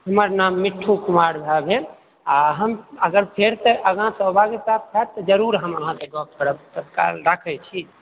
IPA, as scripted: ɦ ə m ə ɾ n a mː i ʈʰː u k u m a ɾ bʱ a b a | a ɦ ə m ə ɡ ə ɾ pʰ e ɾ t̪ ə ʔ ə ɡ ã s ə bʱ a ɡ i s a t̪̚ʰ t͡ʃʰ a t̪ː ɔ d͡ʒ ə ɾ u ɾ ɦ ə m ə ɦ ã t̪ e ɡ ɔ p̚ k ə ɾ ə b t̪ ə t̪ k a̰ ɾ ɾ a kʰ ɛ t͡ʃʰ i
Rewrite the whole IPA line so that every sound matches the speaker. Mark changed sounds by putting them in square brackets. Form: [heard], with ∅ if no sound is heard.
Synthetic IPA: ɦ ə m ə ɾ n a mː i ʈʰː u k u m a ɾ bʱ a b [e] | a ɦ ə m ə ɡ ə ɾ pʰ e ɾ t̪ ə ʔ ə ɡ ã s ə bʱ a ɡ i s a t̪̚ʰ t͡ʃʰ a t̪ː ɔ d͡ʒ ə ɾ u ɾ ɦ ə m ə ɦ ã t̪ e ɡ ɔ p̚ k ə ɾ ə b t̪ ə t̪ k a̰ [l] ɾ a kʰ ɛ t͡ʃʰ i